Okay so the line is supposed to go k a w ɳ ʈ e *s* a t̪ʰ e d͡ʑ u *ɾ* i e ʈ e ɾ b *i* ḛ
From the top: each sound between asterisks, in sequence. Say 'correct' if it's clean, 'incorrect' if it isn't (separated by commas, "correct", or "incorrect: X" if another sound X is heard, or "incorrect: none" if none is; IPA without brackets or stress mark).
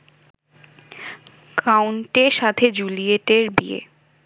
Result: incorrect: ʃ, incorrect: l, correct